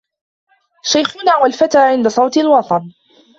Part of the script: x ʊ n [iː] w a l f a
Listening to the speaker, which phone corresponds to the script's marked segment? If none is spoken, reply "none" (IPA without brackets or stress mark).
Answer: aː